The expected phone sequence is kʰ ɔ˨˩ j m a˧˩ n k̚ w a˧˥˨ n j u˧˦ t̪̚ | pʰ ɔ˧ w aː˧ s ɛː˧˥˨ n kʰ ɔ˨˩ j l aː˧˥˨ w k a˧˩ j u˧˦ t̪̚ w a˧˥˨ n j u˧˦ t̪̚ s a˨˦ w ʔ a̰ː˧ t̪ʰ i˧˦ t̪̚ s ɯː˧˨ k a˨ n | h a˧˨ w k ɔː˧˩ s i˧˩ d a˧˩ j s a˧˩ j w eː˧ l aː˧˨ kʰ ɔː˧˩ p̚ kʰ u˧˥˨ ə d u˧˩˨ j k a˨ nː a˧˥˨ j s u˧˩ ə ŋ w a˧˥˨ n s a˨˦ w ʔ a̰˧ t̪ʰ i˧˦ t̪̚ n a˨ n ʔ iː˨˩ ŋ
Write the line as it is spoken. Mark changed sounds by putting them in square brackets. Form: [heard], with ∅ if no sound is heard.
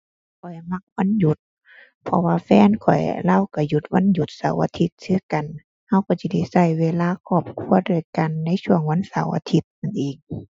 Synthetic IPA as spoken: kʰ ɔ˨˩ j m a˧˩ [∅] k̚ w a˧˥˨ n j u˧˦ t̪̚ | pʰ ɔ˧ w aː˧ [f] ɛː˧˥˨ n kʰ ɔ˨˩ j l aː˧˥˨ w k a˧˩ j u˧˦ t̪̚ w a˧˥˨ n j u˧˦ t̪̚ s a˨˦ w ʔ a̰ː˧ t̪ʰ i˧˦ t̪̚ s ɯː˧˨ k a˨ n | h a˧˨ w k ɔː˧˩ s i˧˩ d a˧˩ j s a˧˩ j w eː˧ l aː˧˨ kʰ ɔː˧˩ p̚ kʰ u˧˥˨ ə d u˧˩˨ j k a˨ nː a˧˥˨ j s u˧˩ ə ŋ w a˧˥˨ n s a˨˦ w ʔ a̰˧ t̪ʰ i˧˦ t̪̚ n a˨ n ʔ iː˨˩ ŋ